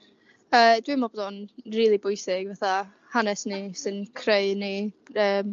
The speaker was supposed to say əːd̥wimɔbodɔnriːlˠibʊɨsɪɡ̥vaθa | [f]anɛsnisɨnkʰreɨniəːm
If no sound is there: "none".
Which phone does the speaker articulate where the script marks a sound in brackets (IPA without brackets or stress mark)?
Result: h